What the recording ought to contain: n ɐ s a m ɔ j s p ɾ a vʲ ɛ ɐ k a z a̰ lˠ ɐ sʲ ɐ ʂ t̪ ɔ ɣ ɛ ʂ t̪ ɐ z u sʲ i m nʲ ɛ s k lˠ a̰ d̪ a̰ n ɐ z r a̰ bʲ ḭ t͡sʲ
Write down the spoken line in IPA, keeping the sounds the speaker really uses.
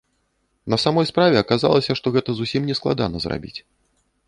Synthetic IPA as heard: n ɐ s a m ɔ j s p ɾ a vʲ ɛ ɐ k a z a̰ lˠ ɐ sʲ ɐ ʂ t̪ ɔ ɣ ɛ t̪ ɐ z u sʲ i m nʲ ɛ s k lˠ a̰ d̪ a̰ n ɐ z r a̰ bʲ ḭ t͡sʲ